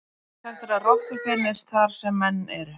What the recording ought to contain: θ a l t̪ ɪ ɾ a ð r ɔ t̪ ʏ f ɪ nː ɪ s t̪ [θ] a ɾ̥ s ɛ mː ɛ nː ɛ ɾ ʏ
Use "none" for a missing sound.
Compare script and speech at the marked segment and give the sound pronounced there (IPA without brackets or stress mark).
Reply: θ